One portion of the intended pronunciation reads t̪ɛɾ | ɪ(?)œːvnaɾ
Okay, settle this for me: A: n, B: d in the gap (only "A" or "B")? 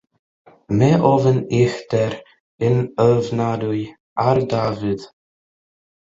A